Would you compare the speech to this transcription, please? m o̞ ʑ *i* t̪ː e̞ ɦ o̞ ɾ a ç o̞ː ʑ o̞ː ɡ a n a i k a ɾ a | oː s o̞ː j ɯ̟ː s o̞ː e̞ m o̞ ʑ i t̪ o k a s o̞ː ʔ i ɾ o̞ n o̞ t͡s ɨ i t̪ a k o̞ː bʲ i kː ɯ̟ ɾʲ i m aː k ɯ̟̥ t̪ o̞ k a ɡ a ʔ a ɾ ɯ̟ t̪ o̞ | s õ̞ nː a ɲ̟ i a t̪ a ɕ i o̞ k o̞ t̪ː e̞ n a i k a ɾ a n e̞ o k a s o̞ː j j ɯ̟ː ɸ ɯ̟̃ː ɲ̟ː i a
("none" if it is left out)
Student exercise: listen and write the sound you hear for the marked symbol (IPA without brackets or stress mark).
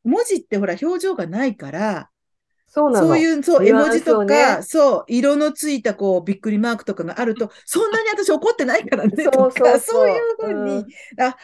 i